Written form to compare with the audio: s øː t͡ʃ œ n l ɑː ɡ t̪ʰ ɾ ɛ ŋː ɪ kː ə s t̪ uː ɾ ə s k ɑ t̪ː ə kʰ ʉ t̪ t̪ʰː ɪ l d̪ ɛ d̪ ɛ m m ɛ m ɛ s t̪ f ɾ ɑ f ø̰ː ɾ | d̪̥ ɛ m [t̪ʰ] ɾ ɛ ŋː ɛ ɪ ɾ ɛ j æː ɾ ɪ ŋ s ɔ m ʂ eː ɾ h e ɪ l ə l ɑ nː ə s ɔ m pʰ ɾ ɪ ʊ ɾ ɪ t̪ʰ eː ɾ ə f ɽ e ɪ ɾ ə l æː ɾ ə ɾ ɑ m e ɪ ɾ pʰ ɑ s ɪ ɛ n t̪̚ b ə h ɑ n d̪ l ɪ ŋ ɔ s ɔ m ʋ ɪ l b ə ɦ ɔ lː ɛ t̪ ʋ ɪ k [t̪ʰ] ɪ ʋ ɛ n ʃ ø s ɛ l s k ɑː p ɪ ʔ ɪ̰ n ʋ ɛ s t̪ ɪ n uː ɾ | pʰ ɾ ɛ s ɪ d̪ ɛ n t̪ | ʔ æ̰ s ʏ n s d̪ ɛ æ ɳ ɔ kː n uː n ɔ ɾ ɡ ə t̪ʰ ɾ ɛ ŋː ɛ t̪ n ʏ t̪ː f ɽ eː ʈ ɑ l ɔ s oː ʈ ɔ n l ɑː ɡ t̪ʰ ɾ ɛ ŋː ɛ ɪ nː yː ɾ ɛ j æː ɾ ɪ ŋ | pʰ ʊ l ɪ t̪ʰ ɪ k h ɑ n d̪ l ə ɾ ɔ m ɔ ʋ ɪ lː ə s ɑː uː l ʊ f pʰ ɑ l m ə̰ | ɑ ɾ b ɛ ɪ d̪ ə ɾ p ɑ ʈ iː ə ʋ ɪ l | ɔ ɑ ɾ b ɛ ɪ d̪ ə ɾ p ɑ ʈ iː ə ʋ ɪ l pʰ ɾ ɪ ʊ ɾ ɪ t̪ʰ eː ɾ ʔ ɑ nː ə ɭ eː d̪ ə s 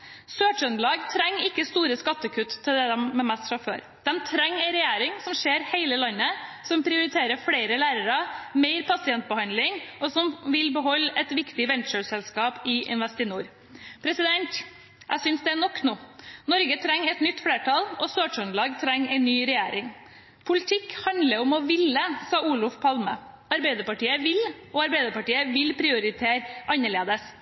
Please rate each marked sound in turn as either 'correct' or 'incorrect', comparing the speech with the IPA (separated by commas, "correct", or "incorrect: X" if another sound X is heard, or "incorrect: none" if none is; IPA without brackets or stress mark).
correct, incorrect: t̪